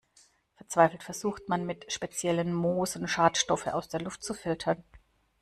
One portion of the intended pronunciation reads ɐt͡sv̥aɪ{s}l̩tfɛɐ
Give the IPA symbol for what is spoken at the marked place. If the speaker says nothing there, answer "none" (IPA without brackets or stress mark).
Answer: f